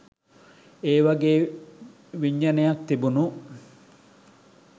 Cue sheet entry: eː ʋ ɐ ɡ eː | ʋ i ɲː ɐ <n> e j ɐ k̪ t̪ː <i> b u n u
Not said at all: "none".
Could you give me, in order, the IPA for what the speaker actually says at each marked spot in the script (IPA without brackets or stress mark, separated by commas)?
n, i